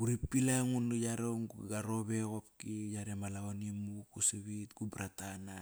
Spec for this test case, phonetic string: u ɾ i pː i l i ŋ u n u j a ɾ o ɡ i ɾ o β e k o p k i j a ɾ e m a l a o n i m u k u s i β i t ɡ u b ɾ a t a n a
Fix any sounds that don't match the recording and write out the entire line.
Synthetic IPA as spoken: u ɾ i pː i l a ŋ u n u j a ɾ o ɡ a ɾ o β e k o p k i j a ɾ e m a l a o n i m u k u s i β i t ɡ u b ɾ a t a n a